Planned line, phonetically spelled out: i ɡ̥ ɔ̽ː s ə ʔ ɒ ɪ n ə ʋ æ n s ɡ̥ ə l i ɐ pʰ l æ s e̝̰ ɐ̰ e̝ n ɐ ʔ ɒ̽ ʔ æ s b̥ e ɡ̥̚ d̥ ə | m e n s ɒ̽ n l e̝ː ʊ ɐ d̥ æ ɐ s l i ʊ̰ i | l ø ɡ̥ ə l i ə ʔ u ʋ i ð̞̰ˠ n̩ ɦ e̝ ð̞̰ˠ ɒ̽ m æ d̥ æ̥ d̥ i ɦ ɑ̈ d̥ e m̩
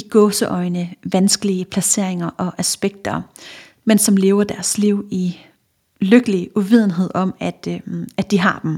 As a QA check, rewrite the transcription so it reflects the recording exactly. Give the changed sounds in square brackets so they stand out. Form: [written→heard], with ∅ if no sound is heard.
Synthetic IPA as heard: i ɡ̥ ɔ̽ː s ə ʔ ɒ ɪ n ə ʋ æ n s ɡ̥ ə l i [ɐ→ə] pʰ l æ s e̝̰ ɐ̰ e̝ [n→ŋ] ɐ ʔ ɒ̽ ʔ æ s b̥ e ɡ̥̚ d̥ [ə→ɐ] | m e n s ɒ̽ [n→m] l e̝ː ʊ ɐ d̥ æ ɐ s l i ʊ̰ i | l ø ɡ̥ ə l i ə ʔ u ʋ i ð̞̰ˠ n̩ ɦ e̝ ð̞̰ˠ ɒ̽ m æ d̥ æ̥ d̥ i ɦ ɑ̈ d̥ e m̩